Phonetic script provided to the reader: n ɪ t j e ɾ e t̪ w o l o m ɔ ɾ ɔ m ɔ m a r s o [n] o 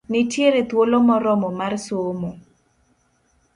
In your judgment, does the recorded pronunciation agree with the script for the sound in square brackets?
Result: no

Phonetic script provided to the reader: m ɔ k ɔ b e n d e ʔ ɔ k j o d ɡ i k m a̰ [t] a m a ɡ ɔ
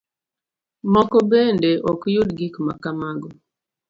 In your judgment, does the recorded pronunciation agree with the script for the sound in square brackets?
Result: no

